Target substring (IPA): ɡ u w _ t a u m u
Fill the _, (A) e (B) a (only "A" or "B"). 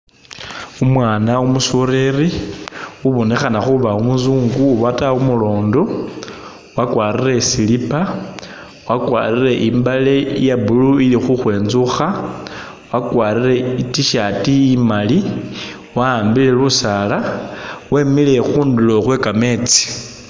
B